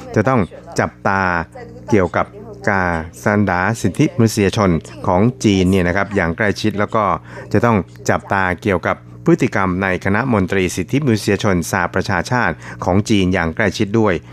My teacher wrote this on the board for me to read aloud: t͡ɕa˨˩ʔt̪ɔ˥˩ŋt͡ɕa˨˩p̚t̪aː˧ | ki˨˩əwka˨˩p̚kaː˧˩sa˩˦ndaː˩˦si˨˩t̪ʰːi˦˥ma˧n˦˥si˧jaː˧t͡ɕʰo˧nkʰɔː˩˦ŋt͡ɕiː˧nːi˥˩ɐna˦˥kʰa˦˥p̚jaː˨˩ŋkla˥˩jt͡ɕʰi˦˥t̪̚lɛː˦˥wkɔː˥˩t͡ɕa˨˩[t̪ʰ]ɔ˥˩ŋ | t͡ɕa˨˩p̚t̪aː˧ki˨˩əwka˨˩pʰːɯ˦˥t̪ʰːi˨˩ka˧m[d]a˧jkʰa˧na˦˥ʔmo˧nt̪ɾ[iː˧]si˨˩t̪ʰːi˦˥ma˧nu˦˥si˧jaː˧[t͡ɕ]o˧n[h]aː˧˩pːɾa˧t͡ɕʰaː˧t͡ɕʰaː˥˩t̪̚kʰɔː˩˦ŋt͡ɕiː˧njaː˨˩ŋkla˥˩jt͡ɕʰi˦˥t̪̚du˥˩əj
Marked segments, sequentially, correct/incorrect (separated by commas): incorrect, incorrect, correct, incorrect, incorrect